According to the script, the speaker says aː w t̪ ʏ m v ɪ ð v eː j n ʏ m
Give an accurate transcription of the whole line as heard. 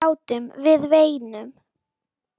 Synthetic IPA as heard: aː w t̪ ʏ m v ɪ ð v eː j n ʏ m

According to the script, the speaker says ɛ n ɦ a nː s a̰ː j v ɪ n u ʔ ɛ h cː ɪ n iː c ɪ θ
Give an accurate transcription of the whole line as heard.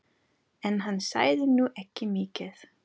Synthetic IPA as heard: ɛ n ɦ a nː s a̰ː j ð ɪ n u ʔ ɛ h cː ɪ m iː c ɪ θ

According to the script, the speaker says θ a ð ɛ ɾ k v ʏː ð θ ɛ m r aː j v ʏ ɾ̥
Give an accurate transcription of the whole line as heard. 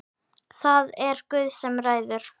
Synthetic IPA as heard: θ a ð ɛ ɾ k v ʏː ð s ɛ m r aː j ð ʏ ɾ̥

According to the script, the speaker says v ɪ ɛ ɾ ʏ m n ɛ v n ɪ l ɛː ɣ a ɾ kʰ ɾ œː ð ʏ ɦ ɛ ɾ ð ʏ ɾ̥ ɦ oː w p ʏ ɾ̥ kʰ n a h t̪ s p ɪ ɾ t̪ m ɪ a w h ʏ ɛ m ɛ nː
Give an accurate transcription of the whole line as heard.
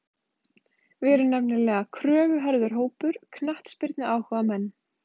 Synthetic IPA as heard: v ɪ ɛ ɾ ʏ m n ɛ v n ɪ l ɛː ɣ a kʰ ɾ œː v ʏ ɦ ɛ ɾ ð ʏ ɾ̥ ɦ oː w p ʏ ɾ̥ kʰ n a h t̪ s p ɪ ɾ t̪ n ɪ a w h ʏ a m ɛ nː

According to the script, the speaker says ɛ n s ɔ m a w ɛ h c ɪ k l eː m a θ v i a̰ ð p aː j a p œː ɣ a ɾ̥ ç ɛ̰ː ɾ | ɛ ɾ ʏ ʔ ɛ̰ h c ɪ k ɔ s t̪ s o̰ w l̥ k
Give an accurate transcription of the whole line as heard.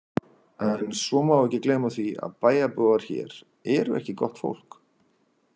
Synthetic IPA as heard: ɛ n s ɔ m a w ɛ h c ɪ k l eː m a θ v i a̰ ð p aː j a p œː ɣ a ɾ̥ ç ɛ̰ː ɾ | ɛ ɾ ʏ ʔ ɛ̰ h c ɪ k ɔ h t̪ f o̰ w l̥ k

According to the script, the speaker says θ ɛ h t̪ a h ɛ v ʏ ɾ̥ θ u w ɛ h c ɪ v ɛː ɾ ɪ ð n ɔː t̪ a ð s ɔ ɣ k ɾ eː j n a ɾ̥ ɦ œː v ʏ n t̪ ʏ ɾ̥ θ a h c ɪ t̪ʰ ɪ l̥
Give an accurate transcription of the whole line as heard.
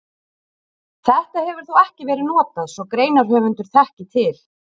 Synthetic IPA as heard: θ ɛ h t̪ a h ɛ v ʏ ɾ̥ θ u w ɛ h c ɪ v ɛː ɾ ɪ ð n ɔː t̪ a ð s ɔ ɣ k ɾ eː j n a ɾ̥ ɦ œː v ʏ n t̪ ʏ ɾ̥ θ ɛ h c ɪ t̪ʰ ɪ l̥

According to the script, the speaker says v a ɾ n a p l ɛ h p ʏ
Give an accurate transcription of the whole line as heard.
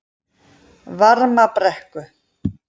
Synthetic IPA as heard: v a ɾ m a p ɾ ɛ h k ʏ

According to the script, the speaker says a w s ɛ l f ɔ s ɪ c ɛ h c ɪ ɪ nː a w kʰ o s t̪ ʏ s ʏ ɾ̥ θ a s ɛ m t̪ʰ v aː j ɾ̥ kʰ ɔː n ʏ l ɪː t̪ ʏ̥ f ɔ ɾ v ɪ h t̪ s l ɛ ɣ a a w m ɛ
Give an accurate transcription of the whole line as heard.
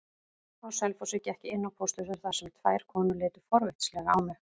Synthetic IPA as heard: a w s ɛ l f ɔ s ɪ c ɛ h c ɪ ɪ nː a w pʰ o s t̪ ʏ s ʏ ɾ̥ θ a s ɛ m t̪ʰ v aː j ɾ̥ kʰ ɔː n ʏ l ɪː t̪ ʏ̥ f ɔ ɾ v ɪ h t̪ s l ɛ ɣ a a w m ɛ

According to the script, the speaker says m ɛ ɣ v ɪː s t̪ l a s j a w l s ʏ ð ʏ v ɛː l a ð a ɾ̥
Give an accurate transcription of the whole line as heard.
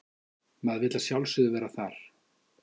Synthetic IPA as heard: m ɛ ð v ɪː t̪ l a s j a w l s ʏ ð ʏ v ɛː ɾ a θ a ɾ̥

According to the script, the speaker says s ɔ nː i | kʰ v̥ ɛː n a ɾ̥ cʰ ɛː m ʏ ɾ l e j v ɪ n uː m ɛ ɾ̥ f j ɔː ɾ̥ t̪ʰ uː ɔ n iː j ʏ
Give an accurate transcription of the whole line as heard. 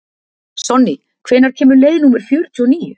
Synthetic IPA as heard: s ɔ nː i | kʰ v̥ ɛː n a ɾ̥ cʰ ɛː m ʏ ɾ l e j ð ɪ n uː m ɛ ɾ̥ f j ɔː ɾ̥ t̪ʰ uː ɔ n iː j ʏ

